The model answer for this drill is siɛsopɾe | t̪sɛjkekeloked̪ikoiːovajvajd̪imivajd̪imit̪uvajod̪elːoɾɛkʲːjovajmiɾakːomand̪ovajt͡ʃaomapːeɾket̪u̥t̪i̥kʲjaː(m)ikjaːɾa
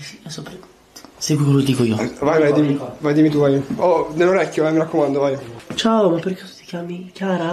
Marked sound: correct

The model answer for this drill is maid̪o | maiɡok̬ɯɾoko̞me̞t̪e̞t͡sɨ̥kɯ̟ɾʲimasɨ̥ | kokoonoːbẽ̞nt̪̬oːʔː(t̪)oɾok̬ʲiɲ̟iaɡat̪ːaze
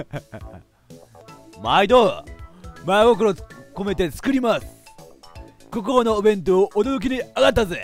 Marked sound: incorrect: d̪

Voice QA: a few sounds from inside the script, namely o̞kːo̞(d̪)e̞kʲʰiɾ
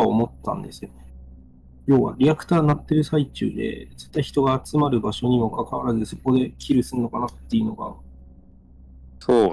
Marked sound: correct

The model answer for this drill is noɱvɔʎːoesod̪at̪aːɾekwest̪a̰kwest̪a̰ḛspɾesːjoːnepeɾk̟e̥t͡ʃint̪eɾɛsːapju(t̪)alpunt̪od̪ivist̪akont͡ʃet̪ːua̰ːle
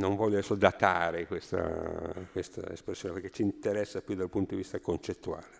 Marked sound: incorrect: d̪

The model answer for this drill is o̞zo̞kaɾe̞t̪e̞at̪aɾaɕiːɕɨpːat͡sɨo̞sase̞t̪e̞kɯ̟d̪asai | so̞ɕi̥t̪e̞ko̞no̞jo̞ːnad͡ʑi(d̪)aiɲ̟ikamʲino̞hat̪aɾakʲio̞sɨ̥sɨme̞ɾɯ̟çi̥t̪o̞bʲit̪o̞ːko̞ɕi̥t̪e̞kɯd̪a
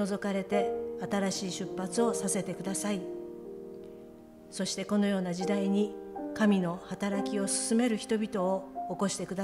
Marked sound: correct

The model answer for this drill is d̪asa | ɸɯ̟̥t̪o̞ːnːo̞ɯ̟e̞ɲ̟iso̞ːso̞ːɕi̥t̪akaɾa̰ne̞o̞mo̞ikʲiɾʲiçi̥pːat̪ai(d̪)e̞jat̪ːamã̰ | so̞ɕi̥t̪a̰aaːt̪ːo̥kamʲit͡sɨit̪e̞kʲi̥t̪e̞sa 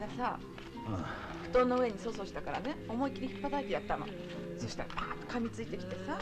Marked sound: incorrect: t̪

